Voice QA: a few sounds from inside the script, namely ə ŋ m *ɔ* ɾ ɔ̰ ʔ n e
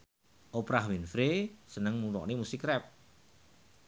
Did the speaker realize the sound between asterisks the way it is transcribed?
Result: no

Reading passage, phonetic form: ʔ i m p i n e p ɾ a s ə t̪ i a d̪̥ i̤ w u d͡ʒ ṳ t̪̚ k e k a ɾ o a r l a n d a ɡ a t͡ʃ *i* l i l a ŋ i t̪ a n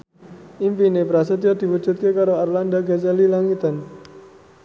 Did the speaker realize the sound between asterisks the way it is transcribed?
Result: no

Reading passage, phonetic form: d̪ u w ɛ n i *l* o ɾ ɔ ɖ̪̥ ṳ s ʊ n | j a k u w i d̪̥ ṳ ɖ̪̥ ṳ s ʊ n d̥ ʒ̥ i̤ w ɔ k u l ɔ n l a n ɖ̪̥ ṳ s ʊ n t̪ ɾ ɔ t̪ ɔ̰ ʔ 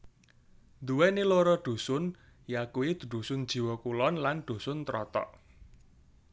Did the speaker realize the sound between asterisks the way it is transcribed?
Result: yes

